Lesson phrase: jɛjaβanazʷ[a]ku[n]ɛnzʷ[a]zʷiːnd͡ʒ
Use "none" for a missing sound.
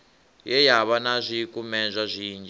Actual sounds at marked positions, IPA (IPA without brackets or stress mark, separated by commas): i, m, a